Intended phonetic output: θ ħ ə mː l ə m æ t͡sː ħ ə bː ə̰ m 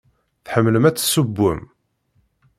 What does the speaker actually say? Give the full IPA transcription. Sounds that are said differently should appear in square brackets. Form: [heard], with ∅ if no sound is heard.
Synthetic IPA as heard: θ ħ ə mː l ə m æ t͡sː [s] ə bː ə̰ m